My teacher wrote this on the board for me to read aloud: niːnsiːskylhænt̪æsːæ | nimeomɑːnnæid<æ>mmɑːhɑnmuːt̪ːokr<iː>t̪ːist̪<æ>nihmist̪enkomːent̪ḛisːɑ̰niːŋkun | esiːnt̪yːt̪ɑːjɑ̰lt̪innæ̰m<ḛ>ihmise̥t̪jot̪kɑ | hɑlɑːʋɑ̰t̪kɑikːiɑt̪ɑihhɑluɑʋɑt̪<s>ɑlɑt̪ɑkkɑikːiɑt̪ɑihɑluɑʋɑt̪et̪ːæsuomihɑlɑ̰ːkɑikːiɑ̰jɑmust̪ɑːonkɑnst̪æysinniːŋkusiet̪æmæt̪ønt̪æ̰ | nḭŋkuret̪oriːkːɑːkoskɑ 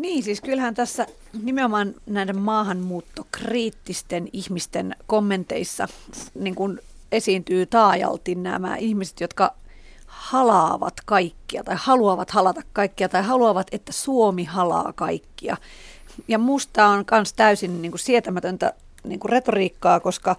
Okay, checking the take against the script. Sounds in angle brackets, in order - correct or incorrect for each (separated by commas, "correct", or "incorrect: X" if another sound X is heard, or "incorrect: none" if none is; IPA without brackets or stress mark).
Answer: incorrect: e, correct, incorrect: e, incorrect: æ̰, incorrect: h